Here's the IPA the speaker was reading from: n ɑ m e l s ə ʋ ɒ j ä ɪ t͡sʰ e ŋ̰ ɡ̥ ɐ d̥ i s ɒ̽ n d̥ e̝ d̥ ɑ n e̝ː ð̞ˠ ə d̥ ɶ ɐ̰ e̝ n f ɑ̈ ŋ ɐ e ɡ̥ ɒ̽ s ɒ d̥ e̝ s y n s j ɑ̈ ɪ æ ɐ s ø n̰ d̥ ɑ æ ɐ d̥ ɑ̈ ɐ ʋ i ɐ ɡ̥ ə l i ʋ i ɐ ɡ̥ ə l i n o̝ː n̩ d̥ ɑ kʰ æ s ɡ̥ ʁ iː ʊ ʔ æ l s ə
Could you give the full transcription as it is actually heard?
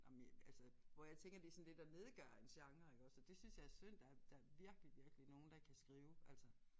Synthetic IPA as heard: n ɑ m æ l s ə ʋ ɒ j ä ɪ t͡sʰ e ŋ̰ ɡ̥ ɐ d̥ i s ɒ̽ n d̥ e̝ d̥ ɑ n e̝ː ð̞ˠ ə ɡ̥ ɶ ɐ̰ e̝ n ɕ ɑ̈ ŋ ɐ e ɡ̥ ɒ̽ s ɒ d̥ e̝ s y n s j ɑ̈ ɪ æ ɐ s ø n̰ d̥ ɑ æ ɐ d̥ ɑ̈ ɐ ʋ i ɐ ɡ̥ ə l i ʋ i ɐ ɡ̥ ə l i n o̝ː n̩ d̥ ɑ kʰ æ s ɡ̥ ʁ iː ʊ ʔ æ l s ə